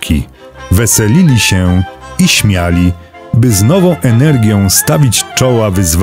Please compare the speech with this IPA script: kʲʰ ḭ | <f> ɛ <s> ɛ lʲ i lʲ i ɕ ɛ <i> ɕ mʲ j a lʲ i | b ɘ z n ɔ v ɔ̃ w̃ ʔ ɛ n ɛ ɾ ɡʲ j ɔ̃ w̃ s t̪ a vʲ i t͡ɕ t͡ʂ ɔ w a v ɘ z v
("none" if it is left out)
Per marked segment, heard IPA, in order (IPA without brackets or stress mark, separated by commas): v, s, i